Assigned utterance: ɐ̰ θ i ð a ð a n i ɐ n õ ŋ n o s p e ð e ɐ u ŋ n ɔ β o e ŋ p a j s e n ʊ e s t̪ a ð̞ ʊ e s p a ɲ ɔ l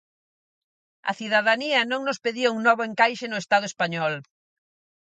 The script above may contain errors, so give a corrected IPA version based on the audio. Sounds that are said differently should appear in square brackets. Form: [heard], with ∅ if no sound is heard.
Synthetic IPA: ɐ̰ θ i ð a ð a n i ɐ n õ ŋ n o s p e ð [i] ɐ u ŋ n ɔ β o e ŋ [k] a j [ʃ] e n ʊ e s t̪ a ð̞ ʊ e s p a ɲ ɔ l